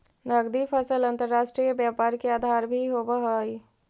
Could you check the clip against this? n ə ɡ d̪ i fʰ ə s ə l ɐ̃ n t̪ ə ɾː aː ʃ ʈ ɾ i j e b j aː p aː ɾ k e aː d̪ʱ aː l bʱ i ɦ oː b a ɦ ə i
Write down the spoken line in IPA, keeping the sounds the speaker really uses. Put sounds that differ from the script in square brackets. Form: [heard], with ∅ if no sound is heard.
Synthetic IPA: n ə ɡ d̪ i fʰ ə s ə l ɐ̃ n t̪ ə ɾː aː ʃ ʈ ɾ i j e b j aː p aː ɾ k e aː d̪ʱ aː [ɾ] bʱ i ɦ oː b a ɦ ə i